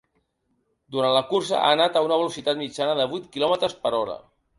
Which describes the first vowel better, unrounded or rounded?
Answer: rounded